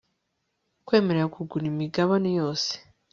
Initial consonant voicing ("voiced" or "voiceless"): voiceless